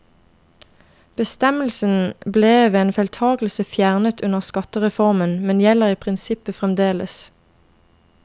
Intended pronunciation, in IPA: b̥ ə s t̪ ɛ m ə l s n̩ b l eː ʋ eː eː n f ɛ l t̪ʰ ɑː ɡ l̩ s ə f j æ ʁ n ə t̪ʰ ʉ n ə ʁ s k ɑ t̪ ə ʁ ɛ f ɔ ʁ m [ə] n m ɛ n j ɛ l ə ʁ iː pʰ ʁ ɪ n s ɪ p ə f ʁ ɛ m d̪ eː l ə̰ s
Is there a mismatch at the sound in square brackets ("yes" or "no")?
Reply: no